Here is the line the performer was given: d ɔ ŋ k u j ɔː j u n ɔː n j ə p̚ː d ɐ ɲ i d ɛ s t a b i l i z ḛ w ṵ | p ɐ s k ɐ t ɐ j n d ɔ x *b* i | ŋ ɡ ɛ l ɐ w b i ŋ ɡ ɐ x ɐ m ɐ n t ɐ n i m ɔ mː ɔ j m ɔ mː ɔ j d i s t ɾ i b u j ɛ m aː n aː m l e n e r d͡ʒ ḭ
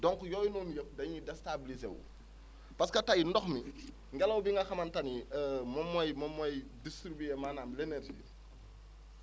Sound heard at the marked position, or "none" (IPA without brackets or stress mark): m